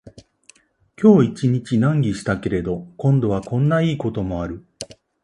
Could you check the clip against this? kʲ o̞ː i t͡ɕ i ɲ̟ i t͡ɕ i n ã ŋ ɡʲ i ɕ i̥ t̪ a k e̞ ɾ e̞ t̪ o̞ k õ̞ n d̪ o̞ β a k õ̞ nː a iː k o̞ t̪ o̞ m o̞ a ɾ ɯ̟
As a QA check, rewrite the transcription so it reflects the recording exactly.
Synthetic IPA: kʲ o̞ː i t͡ɕ i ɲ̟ i t͡ɕ i n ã ŋ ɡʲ i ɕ i̥ t̪ a k e̞ ɾ e̞ d̪ o̞ k õ̞ n d̪ o̞ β a k õ̞ nː a iː k o̞ t̪ o̞ m o̞ a ɾ ɯ̟